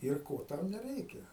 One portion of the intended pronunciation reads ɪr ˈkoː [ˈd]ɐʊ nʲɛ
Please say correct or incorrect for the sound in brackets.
incorrect